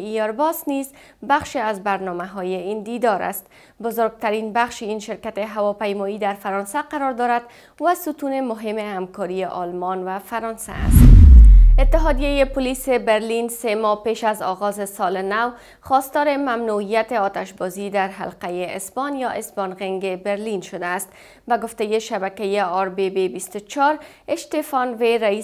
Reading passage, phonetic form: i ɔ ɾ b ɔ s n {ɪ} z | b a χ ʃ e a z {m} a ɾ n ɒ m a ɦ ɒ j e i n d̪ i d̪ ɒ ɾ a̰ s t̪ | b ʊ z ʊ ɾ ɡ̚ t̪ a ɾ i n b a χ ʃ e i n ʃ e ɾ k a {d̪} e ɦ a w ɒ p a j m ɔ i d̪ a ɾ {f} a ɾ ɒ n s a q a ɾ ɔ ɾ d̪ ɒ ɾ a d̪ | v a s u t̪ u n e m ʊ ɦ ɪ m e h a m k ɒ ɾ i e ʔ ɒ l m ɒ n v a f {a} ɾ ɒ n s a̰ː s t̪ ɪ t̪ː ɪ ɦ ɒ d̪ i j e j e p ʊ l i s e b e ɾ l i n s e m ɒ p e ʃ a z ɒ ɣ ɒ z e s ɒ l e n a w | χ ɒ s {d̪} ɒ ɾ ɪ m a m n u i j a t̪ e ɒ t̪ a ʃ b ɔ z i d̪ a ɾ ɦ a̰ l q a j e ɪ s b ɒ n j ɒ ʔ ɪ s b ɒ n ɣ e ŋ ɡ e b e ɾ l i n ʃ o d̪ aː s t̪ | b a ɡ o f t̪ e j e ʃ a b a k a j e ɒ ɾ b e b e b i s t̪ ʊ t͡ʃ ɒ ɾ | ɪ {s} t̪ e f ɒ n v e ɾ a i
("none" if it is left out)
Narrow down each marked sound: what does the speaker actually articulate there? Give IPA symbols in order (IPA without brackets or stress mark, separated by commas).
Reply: i, b, t̪, f, a, t̪, ʃ